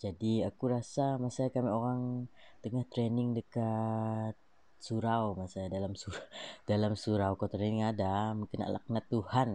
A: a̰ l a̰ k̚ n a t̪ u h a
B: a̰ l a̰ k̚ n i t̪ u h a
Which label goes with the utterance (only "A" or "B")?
A